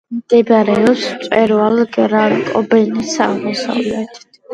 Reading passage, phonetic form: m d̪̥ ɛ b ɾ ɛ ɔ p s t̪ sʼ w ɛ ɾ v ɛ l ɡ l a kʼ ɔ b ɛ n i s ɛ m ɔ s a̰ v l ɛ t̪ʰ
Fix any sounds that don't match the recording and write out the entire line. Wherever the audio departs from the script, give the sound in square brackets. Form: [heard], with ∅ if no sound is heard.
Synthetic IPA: m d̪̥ ɛ b ɾ ɛ ɔ p s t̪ sʼ w ɛ ɾ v [a] l ɡ [ɾ] a kʼ ɔ b ɛ n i s [a] m ɔ s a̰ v l ɛ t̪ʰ

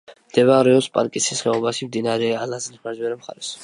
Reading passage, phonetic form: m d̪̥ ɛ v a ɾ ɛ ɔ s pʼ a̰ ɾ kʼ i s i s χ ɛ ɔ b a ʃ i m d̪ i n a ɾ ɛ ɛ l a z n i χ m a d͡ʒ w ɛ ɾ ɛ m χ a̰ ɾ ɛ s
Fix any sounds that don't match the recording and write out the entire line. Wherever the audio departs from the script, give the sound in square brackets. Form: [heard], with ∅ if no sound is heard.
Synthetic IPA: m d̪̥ ɛ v a ɾ ɛ ɔ s pʼ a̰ ɾ kʼ i s i s χ ɛ ɔ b a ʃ i m d̪ i n a ɾ ɛ [a] l a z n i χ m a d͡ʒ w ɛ ɾ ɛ m χ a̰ ɾ ɛ s

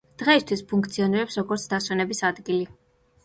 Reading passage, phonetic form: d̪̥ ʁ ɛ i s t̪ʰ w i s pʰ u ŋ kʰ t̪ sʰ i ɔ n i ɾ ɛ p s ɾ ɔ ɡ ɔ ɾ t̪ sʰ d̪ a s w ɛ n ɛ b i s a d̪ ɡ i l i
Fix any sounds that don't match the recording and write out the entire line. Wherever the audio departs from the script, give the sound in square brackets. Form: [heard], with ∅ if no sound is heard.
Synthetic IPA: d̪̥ ʁ ɛ i s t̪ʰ w i s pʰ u ŋ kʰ t̪ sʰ i ɔ n i ɾ ɛ p s ɾ ɔ ɡ ɔ ɾ t̪ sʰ d̪ a s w ɛ n ɛ b i s a d̪ ɡ i l i

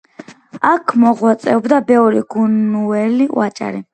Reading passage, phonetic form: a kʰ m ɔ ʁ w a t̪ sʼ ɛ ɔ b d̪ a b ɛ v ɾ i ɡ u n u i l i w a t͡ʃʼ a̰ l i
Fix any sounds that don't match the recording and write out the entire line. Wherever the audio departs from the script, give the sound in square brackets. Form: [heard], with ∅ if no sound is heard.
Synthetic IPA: a kʰ m ɔ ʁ w a t̪ sʼ ɛ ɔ b d̪ a b ɛ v ɾ i ɡ u n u [ɛ] l i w a t͡ʃʼ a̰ [ɾ] i

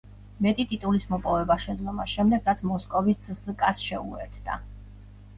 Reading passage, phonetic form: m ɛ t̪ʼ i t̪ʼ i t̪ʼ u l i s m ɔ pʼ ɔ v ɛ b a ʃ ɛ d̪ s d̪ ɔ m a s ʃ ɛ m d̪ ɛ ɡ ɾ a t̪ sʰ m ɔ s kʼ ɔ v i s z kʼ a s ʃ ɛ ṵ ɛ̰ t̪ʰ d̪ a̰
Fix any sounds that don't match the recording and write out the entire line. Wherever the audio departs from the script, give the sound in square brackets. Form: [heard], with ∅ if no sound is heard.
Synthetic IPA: m ɛ t̪ʼ i t̪ʼ i t̪ʼ u l i s m ɔ pʼ ɔ v ɛ b a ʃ ɛ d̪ [z] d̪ ɔ m a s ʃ ɛ m d̪ ɛ ɡ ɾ a t̪ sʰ m ɔ s kʼ ɔ v i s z kʼ a s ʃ ɛ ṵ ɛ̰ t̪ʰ d̪ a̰

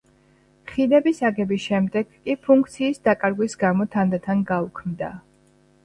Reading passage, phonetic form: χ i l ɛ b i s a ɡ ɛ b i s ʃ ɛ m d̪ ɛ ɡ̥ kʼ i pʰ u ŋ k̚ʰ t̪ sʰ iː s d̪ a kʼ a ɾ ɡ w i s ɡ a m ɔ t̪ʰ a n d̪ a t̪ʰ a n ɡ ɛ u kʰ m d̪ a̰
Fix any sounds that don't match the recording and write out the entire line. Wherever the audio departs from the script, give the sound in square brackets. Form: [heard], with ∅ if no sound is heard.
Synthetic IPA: χ i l ɛ b i s a ɡ ɛ b i s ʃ ɛ m d̪ ɛ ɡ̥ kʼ i pʰ u ŋ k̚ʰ t̪ sʰ iː s d̪ a kʼ a ɾ ɡ w i s ɡ a m ɔ t̪ʰ a n d̪ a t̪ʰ a n ɡ [a] u kʰ m d̪ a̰

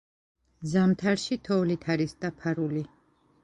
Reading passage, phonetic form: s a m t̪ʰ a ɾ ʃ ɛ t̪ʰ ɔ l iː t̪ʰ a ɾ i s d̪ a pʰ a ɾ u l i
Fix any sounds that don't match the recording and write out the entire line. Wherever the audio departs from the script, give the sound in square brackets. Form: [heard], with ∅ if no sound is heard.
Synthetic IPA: [z] a m t̪ʰ a ɾ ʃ [i] t̪ʰ ɔ l [i] t̪ʰ a ɾ i s d̪ a pʰ a ɾ u l i

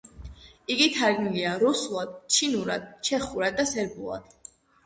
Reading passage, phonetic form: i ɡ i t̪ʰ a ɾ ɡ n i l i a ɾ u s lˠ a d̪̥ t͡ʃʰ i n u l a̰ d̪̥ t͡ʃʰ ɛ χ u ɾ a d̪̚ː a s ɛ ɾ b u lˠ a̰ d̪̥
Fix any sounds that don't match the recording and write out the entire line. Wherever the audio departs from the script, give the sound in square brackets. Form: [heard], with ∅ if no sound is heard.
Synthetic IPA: i ɡ i t̪ʰ a ɾ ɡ n i l i a ɾ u s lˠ a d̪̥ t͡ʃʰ i n u [ɾ] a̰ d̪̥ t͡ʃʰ ɛ χ u ɾ a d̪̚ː a s ɛ ɾ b u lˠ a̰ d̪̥

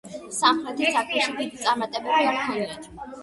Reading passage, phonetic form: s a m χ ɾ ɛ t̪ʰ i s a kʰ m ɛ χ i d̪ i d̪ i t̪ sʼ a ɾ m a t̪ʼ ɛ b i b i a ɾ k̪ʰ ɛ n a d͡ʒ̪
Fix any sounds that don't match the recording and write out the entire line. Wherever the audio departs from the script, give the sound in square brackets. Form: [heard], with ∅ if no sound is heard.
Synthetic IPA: s a m χ ɾ ɛ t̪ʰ i s a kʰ m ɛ [ʃ] i d̪ i d̪ i t̪ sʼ a ɾ m a t̪ʼ ɛ b [ɛ] b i a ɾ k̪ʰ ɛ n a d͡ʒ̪

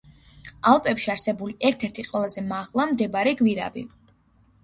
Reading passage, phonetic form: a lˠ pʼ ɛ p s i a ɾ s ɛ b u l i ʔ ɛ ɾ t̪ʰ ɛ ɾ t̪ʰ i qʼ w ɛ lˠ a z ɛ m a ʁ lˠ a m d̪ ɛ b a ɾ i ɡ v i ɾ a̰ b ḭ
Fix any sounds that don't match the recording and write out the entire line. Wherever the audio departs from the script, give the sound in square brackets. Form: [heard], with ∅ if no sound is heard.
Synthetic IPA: a lˠ pʼ ɛ p [ʃ] i a ɾ s ɛ b u l i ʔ ɛ ɾ t̪ʰ ɛ ɾ t̪ʰ i qʼ w ɛ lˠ a z ɛ m a ʁ lˠ a m d̪ ɛ b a ɾ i ɡ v i ɾ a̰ b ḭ

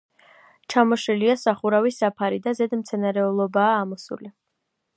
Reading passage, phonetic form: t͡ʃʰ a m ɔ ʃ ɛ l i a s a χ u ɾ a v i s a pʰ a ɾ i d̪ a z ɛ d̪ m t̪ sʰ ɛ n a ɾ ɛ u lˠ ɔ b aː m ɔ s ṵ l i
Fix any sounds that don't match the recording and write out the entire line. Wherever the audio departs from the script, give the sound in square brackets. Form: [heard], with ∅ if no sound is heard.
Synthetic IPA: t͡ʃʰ a m ɔ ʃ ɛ l i a s a χ u ɾ a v i s a pʰ a ɾ i d̪ a z ɛ d̪ m t̪ sʰ ɛ n a ɾ ɛ u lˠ ɔ b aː m ɔ s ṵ l i

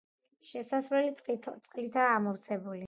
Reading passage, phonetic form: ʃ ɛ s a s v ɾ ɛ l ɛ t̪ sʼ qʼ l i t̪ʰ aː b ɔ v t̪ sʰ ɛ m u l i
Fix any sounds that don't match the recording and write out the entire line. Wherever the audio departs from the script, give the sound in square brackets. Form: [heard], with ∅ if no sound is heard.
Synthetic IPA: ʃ ɛ s a s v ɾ ɛ l [i] t̪ sʼ qʼ l i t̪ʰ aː [m] ɔ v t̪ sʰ ɛ [b] u l i

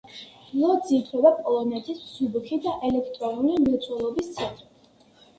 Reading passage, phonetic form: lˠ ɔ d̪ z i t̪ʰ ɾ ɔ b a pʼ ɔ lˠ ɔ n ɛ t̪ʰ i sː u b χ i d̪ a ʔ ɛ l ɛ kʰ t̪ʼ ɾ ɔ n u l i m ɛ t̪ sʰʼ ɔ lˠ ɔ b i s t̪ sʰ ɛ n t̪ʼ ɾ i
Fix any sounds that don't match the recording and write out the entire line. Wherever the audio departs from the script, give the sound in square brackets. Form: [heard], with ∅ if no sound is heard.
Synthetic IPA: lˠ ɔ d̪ z i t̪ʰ ɾ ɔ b a pʼ ɔ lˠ ɔ n ɛ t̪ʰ i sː u b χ i d̪ a ʔ ɛ l ɛ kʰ t̪ʼ ɾ ɔ n u l i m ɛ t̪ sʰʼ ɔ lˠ ɔ b i s t̪ sʰ ɛ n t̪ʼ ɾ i

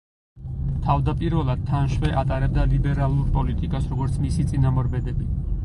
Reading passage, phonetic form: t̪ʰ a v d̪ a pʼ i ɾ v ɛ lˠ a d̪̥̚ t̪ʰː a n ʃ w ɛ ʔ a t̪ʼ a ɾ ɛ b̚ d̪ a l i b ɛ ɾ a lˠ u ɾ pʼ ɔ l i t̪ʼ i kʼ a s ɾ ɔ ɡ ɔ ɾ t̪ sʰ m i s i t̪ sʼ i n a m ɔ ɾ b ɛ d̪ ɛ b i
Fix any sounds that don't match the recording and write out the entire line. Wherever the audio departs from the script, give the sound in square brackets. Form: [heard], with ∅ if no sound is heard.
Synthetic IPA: t̪ʰ a v d̪ a pʼ i ɾ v ɛ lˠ a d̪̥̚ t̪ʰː a n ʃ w ɛ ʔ a t̪ʼ a ɾ ɛ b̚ d̪ a l i b ɛ ɾ a lˠ u ɾ pʼ ɔ l i t̪ʼ i kʼ a s ɾ ɔ ɡ ɔ ɾ t̪ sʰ m i s i t̪ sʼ i n a m ɔ ɾ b ɛ d̪ ɛ b i

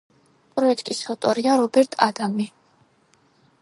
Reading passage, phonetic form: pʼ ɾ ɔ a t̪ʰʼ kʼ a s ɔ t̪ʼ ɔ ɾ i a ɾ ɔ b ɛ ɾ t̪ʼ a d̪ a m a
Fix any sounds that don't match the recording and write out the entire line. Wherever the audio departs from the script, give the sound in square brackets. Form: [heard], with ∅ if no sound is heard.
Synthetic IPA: pʼ ɾ ɔ [ɛ] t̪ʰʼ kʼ [i] s ɔ t̪ʼ ɔ ɾ i a ɾ ɔ b ɛ ɾ t̪ʼ a d̪ a m [i]

